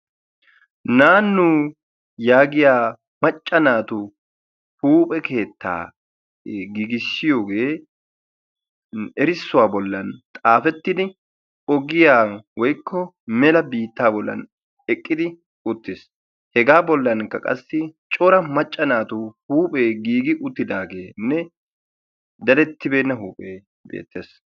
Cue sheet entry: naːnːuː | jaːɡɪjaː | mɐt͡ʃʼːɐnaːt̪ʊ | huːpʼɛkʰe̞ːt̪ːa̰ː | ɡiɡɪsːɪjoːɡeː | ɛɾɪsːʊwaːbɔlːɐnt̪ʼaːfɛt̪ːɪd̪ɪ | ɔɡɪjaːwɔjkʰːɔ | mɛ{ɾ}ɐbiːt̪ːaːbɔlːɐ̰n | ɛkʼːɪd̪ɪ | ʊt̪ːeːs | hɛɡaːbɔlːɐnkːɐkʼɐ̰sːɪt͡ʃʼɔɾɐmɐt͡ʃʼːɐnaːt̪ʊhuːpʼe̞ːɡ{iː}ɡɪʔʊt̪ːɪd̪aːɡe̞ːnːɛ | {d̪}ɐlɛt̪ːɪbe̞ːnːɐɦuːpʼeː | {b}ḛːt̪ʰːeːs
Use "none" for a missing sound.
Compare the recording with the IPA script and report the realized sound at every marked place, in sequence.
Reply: l, iː, d̪, b

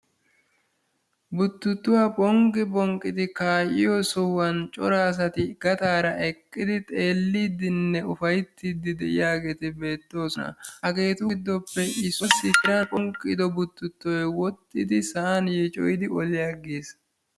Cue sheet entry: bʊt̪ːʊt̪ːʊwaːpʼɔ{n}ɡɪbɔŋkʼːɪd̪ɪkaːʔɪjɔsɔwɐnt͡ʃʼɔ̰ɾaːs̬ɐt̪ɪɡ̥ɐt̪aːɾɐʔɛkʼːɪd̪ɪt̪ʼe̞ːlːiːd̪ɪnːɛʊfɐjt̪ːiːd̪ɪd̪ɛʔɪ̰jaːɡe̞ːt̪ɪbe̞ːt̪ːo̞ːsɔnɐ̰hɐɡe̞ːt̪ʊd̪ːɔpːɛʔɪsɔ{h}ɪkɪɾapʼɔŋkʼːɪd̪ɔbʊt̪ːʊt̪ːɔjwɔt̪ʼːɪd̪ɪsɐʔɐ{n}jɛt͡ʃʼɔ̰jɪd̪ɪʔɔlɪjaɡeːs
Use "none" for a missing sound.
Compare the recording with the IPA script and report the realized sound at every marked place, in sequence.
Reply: ŋ, s, n

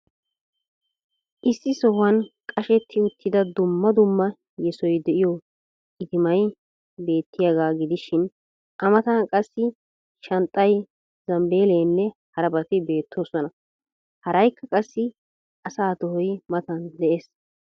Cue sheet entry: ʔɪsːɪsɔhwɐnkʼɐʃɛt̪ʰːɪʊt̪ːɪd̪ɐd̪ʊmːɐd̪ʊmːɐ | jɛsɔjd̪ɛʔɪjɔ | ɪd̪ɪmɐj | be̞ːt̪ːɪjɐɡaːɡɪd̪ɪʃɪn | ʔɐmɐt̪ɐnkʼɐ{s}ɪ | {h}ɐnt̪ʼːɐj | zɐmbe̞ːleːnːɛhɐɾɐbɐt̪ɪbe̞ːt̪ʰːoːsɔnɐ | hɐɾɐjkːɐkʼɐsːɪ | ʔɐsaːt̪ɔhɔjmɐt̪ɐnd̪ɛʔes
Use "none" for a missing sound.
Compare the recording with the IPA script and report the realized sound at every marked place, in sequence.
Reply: sː, ʃ

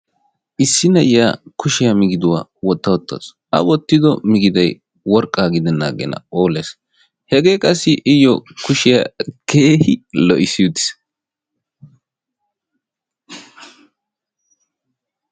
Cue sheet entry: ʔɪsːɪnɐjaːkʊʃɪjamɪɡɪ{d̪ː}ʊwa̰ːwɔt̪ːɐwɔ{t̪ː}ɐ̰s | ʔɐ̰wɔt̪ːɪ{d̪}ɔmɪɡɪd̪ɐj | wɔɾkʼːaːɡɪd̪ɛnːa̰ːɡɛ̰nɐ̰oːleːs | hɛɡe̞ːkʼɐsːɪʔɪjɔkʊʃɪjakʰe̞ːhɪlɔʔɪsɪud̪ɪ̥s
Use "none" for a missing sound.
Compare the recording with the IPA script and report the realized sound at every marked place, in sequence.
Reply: d̪, t̪ː, d̪

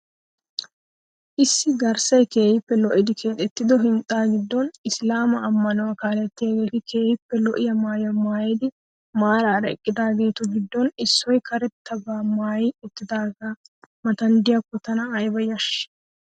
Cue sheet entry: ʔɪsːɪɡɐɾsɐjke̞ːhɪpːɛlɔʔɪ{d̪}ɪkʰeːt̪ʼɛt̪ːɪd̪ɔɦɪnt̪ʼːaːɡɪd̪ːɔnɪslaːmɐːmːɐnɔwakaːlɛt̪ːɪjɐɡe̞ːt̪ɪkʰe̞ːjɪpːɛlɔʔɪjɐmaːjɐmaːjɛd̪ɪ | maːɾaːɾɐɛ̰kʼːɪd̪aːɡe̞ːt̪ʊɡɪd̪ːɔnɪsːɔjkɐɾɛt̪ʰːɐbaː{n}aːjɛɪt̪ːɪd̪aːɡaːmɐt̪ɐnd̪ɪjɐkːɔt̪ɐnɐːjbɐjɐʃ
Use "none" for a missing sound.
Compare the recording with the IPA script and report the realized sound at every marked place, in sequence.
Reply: d̪, m

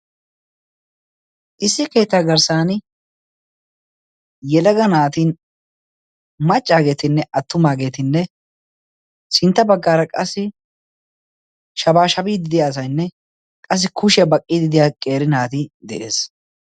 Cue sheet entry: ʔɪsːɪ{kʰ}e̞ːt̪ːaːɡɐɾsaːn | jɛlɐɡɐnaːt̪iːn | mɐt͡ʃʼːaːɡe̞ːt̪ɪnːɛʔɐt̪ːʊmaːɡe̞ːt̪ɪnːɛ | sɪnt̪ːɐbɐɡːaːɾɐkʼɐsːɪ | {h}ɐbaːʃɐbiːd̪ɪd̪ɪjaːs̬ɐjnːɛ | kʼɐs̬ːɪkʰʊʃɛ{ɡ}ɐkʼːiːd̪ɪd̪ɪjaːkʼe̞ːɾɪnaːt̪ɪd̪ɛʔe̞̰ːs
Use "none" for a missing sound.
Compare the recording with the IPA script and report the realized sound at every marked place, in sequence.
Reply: k, ʃ, b

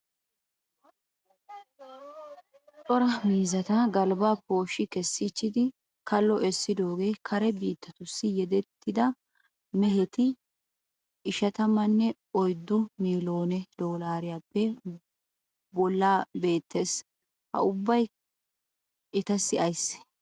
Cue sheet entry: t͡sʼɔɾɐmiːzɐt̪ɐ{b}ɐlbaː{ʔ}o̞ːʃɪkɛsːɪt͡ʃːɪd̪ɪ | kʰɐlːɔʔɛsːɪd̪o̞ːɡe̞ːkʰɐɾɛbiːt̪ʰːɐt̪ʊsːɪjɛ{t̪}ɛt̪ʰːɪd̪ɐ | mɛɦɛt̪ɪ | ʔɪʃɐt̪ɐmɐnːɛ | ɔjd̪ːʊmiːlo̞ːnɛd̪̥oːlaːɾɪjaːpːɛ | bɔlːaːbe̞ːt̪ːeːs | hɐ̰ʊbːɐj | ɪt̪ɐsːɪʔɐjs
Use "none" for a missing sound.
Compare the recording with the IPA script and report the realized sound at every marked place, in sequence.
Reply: ɡ, p, d̪

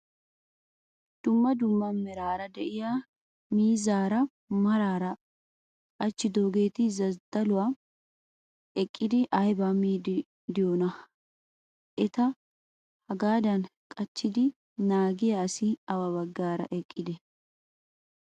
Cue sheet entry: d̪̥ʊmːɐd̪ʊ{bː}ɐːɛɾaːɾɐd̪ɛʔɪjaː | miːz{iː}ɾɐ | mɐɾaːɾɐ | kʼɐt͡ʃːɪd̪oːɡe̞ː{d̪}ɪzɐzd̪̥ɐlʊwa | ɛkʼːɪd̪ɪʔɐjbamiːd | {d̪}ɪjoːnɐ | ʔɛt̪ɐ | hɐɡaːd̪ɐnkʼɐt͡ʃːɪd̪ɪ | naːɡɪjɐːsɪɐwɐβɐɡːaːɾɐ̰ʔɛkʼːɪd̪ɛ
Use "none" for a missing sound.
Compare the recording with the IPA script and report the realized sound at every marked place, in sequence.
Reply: mː, aː, t̪, d̪

